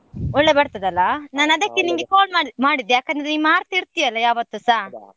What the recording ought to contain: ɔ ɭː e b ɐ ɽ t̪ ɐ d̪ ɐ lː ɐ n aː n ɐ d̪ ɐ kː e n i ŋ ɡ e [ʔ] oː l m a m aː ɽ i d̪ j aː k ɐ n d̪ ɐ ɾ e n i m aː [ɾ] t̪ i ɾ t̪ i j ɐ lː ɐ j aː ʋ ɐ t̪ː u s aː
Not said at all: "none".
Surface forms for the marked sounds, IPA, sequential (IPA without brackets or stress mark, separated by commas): k, ɾ